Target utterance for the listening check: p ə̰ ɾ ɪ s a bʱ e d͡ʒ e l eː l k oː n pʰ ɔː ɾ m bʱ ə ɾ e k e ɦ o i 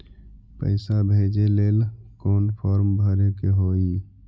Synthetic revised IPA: p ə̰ ɪ s a bʱ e d͡ʒ e l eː l k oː n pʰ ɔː ɾ m bʱ ə ɾ e k e ɦ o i